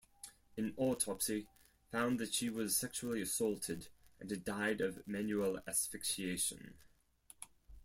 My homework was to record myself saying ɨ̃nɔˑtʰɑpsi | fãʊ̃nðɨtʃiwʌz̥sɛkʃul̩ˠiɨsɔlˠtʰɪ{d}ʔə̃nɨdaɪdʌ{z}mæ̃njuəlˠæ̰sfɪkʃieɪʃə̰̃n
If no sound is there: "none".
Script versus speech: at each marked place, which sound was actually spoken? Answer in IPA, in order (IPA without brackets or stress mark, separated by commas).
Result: d, v